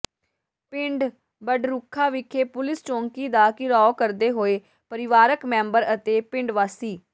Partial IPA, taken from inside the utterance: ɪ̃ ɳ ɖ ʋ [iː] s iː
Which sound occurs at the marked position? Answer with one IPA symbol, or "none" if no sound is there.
aː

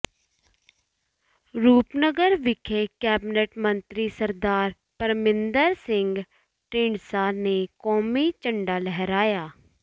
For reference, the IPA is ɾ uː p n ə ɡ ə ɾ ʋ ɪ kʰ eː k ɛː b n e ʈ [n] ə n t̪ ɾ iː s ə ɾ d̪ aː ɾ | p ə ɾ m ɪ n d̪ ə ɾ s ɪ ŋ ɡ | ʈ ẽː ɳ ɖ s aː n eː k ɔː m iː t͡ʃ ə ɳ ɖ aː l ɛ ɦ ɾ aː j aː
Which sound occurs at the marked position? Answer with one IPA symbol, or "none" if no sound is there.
m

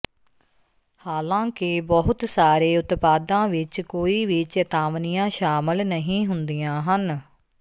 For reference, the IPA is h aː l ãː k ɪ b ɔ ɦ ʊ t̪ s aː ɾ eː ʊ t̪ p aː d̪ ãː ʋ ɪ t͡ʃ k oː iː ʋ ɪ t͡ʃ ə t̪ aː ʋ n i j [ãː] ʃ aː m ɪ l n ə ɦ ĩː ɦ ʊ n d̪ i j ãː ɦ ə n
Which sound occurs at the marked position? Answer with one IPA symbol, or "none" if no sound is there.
ãː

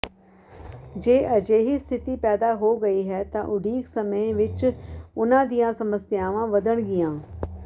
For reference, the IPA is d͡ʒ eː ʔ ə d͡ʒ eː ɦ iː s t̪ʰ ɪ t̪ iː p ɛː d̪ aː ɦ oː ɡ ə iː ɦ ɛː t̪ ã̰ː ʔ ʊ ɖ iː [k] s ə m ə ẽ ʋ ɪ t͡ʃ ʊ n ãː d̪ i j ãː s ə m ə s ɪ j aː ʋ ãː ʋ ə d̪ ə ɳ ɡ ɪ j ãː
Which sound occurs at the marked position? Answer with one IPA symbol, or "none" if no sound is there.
k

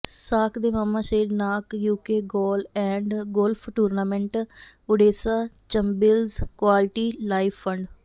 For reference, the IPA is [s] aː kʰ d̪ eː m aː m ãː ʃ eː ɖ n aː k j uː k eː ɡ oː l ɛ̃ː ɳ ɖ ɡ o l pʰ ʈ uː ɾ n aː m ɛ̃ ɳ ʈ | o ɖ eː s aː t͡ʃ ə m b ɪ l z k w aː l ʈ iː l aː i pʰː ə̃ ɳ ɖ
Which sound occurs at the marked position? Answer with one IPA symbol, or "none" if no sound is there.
s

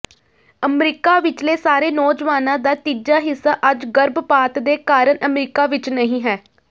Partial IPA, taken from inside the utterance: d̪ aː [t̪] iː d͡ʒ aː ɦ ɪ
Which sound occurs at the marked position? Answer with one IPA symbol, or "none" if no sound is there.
t̪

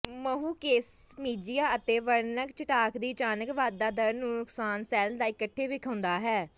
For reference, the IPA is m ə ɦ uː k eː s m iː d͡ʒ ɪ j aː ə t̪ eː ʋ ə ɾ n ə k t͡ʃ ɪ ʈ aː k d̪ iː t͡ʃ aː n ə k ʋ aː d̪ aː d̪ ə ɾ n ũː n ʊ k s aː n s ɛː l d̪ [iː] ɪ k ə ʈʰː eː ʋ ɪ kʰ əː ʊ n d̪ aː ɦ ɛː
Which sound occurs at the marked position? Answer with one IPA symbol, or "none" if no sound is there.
aː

